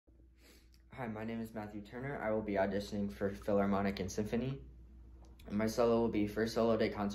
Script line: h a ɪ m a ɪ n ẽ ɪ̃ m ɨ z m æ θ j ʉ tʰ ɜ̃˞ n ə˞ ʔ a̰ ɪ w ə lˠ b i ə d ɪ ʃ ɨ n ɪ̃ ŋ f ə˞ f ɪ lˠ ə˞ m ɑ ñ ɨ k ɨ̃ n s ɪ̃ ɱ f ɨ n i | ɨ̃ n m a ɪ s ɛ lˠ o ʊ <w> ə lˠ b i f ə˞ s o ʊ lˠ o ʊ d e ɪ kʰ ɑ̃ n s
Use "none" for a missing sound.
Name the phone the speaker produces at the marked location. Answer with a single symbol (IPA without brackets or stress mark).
w